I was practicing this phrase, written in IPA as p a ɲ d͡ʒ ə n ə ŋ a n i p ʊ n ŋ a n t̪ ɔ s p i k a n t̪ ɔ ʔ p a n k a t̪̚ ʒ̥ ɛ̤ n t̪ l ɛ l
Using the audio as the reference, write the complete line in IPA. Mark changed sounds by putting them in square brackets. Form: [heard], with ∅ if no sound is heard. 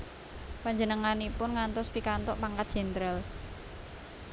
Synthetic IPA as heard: p a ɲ d͡ʒ ə n ə ŋ a n i p ʊ n ŋ a n t̪ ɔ s p i k a n t̪ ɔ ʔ p a [ŋ] k a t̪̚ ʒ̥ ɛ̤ n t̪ [ɾ] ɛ l